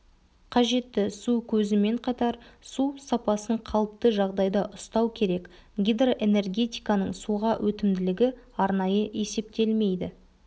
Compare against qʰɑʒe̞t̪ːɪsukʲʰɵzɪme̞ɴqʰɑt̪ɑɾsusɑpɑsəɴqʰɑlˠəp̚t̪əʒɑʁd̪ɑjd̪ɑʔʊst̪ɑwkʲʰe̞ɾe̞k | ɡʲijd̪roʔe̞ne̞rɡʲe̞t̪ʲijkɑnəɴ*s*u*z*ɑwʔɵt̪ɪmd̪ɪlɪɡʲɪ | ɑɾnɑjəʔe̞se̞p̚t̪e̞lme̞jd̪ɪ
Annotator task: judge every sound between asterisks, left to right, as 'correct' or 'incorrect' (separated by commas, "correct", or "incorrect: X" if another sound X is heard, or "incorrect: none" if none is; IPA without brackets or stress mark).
correct, incorrect: ʁ